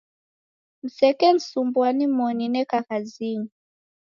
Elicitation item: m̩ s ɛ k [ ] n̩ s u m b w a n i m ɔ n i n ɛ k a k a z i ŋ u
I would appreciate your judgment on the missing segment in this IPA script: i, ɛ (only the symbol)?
ɛ